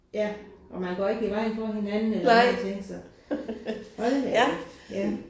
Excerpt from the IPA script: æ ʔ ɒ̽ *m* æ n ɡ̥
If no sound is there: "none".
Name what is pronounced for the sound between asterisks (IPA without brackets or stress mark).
m